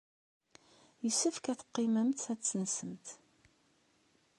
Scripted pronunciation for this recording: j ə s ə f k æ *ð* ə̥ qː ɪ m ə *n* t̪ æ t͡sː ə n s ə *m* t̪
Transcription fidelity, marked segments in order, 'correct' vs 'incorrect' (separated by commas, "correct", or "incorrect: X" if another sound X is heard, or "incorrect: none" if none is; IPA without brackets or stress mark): incorrect: θ, incorrect: m, correct